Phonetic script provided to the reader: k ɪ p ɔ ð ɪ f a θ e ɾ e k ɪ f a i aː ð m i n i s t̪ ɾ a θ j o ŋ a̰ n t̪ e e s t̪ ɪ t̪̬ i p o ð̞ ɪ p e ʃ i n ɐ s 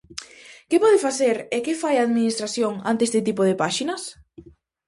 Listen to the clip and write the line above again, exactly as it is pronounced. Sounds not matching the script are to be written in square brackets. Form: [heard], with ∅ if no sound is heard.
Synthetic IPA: k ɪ p ɔ ð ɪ f a θ e ɾ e k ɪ f a [j] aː ð m i n i s t̪ ɾ a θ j o ŋ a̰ n t̪ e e s t̪ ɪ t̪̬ i p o ð̞ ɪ p [a] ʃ i n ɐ s